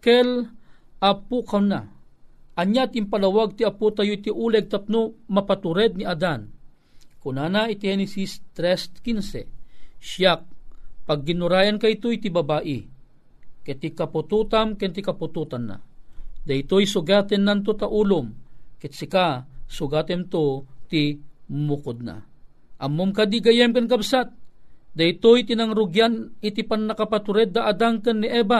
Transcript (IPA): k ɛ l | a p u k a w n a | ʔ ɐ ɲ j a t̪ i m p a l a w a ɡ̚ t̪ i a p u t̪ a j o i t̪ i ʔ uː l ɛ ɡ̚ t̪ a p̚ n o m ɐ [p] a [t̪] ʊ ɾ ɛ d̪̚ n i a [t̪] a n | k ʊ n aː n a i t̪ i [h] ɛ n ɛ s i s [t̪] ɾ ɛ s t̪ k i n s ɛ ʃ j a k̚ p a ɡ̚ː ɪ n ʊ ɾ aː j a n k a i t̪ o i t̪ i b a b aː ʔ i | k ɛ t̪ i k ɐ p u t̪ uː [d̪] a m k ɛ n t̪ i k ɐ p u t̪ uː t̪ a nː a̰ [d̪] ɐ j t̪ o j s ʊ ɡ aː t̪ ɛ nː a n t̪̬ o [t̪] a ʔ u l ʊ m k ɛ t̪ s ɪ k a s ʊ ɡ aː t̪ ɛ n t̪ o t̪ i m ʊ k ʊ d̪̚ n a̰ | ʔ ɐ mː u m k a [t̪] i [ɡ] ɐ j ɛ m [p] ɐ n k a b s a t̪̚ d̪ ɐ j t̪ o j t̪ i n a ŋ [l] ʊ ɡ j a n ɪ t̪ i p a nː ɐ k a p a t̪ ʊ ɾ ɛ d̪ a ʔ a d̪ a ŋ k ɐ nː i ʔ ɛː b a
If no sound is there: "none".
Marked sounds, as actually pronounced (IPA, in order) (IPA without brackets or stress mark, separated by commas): p, t̪, d̪, h, t̪, t̪, d̪, t̪, d̪, ɡ, k, ɾ